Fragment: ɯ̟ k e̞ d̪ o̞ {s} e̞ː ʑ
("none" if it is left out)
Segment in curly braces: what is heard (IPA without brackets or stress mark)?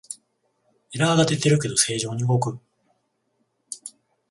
s